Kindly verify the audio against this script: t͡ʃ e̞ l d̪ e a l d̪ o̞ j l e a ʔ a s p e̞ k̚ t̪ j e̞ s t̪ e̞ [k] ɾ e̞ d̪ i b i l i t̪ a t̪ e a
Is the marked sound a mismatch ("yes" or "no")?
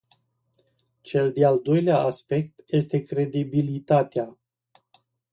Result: no